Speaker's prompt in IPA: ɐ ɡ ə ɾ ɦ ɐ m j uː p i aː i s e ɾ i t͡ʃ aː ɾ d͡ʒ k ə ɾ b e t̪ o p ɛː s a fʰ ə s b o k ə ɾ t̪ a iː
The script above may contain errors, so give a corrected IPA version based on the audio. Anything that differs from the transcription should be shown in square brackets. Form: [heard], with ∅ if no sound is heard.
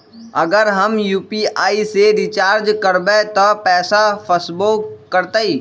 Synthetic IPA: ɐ ɡ ə ɾ ɦ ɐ m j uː p i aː i s e ɾ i t͡ʃ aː ɾ d͡ʒ k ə ɾ b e t̪ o p ɛː s a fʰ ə s b o k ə ɾ t̪ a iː